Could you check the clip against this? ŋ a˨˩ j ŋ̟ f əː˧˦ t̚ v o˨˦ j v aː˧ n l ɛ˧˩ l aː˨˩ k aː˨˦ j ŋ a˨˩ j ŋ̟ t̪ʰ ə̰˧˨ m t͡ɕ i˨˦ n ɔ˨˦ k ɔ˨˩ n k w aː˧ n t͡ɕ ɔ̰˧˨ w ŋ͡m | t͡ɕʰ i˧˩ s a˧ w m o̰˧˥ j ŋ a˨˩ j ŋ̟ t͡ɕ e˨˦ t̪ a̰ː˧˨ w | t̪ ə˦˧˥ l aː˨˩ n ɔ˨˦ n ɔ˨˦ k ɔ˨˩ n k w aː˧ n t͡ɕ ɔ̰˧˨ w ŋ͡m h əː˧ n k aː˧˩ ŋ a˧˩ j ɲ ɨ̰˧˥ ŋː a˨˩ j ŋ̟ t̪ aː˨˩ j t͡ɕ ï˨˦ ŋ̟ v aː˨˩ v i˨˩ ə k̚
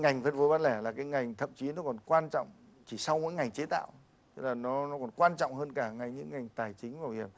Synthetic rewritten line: ŋ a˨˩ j ŋ̟ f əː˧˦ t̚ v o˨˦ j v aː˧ n l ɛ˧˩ l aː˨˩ k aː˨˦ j ŋ a˨˩ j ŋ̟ t̪ʰ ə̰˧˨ m t͡ɕ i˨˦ n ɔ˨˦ k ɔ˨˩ n k w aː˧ n t͡ɕ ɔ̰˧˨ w ŋ͡m | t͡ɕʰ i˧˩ s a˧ w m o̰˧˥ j ŋ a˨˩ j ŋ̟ t͡ɕ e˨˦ t̪ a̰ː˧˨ w | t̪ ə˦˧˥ l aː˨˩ n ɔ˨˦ n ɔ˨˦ k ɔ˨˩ n k w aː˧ n t͡ɕ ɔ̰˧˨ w ŋ͡m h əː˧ n k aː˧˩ ŋ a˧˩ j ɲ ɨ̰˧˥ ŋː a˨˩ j ŋ̟ t̪ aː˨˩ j t͡ɕ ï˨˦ ŋ̟ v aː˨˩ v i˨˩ ə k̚